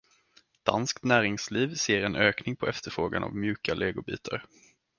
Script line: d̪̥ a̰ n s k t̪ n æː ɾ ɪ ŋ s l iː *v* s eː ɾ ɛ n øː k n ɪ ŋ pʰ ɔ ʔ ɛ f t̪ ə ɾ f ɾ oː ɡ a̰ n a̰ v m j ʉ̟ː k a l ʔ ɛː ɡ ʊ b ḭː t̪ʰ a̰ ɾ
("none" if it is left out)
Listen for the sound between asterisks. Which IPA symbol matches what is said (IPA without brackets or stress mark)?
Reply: v